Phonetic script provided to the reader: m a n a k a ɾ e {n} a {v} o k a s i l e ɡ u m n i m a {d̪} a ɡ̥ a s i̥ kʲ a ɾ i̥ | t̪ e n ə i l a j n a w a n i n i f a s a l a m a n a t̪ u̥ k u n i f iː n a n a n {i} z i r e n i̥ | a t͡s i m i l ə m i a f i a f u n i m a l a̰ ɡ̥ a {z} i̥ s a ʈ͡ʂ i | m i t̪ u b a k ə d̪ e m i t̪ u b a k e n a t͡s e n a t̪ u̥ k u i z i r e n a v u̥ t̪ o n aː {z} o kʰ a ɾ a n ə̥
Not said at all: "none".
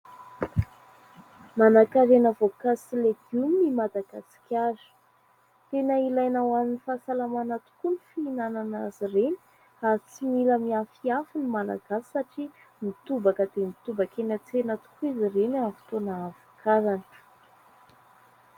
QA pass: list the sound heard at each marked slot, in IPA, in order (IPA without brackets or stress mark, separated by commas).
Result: n, v, d̪, a, s, v